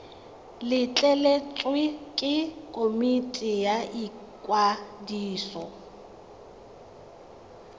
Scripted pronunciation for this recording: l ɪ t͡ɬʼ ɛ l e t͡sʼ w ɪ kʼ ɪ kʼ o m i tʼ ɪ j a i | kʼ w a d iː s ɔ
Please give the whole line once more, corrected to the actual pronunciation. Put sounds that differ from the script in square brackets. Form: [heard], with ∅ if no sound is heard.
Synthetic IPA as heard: l ɪ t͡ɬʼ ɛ l e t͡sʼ w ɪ kʼ ɪ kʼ o m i tʼ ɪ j a i | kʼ w a d iː s ɔ